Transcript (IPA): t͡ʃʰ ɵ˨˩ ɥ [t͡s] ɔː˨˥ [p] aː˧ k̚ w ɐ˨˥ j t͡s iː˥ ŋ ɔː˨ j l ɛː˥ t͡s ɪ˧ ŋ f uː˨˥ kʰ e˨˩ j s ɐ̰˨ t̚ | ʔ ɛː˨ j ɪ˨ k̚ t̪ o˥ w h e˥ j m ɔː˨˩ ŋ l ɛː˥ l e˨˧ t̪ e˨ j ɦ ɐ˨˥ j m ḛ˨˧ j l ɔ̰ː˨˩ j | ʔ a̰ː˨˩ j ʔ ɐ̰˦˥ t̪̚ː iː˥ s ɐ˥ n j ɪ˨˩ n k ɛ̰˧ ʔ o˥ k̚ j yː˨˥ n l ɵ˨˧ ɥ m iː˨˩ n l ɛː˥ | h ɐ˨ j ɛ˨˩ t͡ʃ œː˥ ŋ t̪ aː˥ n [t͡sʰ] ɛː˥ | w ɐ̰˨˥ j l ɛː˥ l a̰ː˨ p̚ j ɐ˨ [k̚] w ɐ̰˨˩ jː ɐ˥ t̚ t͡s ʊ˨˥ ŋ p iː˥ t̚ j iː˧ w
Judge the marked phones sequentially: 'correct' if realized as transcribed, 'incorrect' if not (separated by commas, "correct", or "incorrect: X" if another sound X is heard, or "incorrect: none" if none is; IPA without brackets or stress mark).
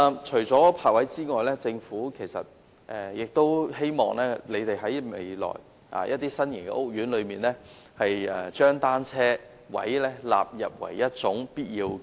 correct, incorrect: pʰ, correct, incorrect: p̚